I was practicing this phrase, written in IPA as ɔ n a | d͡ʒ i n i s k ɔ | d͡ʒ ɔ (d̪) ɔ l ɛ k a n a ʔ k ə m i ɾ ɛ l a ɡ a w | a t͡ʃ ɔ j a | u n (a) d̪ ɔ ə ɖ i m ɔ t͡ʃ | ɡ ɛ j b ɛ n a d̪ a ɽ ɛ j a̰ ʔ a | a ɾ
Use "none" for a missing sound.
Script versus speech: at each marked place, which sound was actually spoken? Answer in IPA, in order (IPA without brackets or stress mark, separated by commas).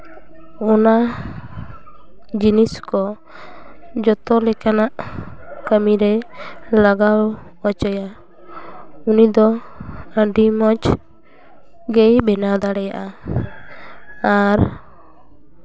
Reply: t̪, i